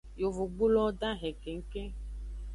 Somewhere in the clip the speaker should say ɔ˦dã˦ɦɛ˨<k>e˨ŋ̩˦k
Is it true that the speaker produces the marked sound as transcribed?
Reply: yes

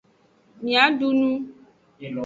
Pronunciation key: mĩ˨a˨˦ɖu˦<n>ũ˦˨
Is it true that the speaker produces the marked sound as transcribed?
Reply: yes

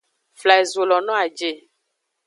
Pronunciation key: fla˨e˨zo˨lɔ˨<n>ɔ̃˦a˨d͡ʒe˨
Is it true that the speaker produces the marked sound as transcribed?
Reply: yes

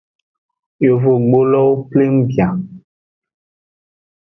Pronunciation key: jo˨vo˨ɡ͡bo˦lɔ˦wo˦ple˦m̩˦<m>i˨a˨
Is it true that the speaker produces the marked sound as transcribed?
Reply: no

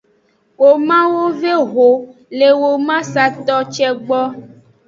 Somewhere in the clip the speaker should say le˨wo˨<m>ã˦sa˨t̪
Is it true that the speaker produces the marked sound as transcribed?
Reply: yes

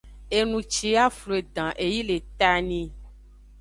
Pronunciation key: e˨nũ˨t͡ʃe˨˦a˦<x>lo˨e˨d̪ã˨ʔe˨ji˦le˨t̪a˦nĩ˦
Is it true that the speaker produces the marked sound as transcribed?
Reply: no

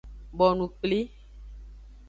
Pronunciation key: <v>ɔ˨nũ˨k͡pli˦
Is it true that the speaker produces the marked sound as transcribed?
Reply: no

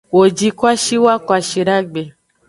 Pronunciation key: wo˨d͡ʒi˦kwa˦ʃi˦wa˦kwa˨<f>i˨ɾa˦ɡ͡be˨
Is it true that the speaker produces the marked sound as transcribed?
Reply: no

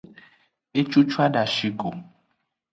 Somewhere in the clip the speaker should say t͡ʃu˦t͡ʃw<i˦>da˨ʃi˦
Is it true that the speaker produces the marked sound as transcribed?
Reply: no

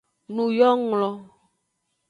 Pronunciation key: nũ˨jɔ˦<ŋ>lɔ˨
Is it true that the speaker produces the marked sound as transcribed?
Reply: yes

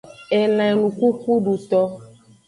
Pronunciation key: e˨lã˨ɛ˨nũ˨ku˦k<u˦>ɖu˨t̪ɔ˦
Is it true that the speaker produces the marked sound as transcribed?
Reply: yes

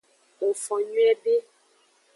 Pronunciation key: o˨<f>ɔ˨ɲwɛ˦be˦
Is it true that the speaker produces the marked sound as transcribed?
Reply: yes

